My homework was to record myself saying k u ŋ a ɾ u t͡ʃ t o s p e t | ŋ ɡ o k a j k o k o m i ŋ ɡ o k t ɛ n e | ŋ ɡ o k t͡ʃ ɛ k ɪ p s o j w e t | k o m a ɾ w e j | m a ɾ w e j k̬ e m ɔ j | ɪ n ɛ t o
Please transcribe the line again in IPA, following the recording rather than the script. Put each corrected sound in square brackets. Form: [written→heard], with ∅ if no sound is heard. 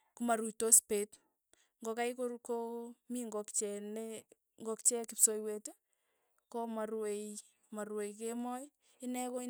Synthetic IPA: k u [ŋ→m] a ɾ u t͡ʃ t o s p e t | ŋ ɡ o k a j k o k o m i ŋ ɡ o k [t→t͡ʃ] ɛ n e | ŋ ɡ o k t͡ʃ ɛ k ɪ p s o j w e t | k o m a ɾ w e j | m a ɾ w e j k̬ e m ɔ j | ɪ n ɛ [t→k] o